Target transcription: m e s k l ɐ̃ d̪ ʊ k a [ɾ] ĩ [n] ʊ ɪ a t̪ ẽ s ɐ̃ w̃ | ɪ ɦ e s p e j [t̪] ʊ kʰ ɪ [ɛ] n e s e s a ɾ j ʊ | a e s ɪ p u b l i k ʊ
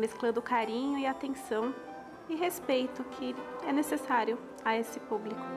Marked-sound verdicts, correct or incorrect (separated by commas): correct, incorrect, correct, correct